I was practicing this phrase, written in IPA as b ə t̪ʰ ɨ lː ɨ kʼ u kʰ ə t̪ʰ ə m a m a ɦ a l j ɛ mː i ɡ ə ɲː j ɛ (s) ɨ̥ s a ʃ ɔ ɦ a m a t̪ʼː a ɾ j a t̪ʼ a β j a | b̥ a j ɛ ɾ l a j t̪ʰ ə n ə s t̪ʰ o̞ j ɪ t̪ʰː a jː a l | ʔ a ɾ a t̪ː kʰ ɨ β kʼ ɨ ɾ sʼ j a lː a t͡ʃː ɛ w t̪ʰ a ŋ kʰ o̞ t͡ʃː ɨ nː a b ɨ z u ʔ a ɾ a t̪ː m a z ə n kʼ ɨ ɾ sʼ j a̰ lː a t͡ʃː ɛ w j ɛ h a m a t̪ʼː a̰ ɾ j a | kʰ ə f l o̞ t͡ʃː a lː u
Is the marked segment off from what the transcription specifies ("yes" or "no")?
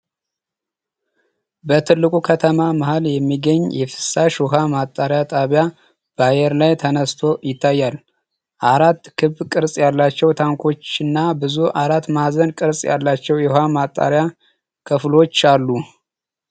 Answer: yes